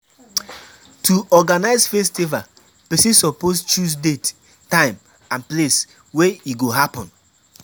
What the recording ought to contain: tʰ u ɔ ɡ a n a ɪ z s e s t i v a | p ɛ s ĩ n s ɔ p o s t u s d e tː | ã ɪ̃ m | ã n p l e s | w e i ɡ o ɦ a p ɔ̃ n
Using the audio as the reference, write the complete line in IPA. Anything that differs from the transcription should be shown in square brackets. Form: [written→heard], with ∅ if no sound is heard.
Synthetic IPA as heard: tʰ u ɔ ɡ a n a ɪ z [s→f] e s t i v a | p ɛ s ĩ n s ɔ p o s [t→t͡ʃ] u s d e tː | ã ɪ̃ m | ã n p l e s | w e i ɡ o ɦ a p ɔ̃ n